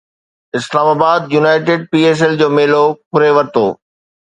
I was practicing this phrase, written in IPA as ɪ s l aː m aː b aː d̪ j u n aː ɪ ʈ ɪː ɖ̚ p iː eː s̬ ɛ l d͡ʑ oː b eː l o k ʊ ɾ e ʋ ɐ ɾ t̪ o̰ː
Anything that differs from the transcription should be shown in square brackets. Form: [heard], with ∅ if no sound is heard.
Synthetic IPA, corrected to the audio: ɪ s l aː m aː b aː d̪ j u n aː ɪ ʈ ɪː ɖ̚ p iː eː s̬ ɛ l d͡ʑ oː [m] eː l o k ʊ ɾ e ʋ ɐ ɾ t̪ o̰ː